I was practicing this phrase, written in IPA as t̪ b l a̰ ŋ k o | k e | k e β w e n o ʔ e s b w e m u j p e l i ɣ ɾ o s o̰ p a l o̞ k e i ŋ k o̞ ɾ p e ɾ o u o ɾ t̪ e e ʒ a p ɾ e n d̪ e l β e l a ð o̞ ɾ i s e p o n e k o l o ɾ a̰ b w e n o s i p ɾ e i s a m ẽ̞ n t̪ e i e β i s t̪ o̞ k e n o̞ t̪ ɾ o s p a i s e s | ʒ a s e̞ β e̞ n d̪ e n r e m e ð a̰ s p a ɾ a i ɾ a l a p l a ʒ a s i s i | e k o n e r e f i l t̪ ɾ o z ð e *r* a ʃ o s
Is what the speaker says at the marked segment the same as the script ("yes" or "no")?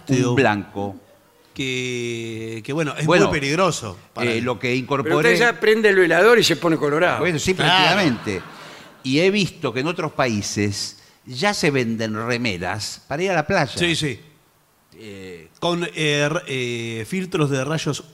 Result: yes